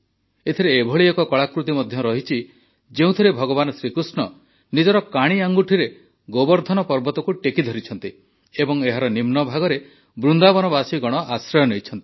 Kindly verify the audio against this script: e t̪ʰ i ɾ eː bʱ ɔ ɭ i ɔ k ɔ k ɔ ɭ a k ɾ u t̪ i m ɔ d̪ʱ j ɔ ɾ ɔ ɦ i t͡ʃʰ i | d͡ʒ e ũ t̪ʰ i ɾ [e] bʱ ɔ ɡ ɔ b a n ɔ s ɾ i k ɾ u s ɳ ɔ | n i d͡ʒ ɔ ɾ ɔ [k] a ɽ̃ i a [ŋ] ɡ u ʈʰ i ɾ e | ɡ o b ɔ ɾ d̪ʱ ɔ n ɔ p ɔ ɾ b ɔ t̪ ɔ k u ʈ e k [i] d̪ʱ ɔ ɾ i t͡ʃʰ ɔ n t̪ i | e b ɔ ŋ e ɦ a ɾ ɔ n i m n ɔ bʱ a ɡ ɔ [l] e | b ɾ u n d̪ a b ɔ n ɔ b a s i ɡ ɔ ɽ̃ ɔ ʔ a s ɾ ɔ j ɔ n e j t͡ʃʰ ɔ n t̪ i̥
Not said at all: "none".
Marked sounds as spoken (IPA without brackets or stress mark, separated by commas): e, k, ŋ, i, ɾ